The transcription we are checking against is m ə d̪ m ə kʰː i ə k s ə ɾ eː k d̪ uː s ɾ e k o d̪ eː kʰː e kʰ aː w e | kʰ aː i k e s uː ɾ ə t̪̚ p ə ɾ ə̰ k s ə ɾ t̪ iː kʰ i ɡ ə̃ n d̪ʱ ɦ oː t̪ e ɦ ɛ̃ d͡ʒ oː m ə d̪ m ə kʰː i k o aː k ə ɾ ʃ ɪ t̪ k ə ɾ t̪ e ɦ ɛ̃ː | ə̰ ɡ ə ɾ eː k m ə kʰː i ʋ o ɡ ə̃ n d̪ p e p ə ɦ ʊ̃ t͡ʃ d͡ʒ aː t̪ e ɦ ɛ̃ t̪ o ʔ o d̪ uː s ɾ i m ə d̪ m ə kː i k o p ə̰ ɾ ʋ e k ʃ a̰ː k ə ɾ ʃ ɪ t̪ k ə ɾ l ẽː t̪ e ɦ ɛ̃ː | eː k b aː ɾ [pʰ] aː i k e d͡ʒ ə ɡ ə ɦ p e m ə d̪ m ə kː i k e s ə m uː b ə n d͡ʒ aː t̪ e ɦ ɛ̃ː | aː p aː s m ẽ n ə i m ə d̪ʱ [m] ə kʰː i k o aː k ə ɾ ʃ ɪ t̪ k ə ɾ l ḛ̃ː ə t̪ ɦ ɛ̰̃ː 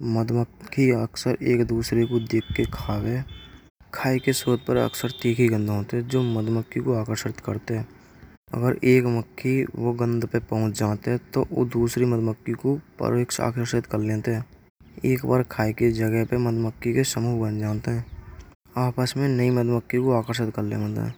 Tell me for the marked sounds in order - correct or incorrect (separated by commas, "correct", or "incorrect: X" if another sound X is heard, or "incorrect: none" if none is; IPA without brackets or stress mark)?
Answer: incorrect: kʰ, correct